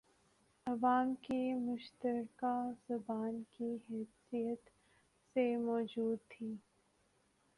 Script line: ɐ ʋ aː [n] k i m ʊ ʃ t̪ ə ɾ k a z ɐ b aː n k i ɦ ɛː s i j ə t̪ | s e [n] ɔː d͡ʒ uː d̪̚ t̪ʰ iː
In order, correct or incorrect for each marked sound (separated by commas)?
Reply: incorrect, incorrect